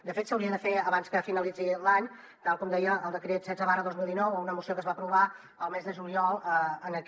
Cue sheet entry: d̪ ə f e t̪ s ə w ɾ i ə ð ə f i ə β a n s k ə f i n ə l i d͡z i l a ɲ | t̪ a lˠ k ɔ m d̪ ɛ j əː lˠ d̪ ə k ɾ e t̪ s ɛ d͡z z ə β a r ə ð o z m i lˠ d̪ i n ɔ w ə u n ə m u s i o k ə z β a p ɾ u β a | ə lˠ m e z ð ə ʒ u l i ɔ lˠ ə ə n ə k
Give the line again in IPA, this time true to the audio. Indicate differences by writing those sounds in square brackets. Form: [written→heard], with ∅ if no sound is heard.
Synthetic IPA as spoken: d̪ ə f e t̪ s ə w ɾ i ə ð ə f [i→e] ə β a n s k ə f i n ə l i d͡z i l a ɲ | t̪ a lˠ k ɔ m d̪ ɛ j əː lˠ d̪ ə k ɾ e t̪ s ɛ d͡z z ə β a r ə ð o z m i lˠ d̪ i n ɔ w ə u n ə m u s i o k ə z β a p ɾ u β a | ə lˠ m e z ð ə ʒ u l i ɔ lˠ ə ə n ə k